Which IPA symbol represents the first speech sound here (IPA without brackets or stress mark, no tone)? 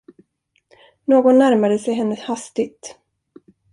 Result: n